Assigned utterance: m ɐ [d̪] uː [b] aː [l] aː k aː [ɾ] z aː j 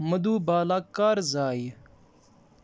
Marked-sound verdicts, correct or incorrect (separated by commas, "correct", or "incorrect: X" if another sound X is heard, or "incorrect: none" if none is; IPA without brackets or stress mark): correct, correct, correct, correct